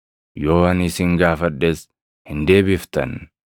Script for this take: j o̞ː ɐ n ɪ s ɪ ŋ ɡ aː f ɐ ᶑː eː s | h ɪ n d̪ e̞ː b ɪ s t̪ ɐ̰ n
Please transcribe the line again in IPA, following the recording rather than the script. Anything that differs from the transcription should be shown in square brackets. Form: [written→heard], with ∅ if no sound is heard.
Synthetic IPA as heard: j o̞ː ɐ n ɪ s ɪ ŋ ɡ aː f ɐ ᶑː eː s | h ɪ n d̪ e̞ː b ɪ [s→f] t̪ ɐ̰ n